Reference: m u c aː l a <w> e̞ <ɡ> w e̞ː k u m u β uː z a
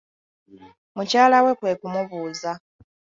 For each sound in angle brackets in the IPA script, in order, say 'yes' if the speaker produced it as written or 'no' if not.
yes, no

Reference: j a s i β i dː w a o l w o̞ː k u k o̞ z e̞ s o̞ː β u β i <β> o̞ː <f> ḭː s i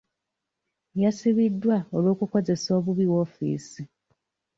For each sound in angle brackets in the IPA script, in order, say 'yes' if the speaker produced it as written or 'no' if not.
no, yes

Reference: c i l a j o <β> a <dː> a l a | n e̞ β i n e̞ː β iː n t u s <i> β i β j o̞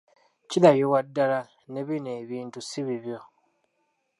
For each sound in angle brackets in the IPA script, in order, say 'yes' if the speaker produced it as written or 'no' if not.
no, yes, yes

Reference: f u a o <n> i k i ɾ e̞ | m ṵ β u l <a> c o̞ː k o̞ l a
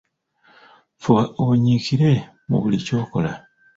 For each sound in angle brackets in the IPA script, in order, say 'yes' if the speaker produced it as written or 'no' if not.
no, no

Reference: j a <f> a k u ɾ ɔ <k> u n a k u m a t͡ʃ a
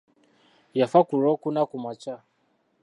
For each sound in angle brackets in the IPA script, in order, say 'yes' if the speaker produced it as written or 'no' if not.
yes, yes

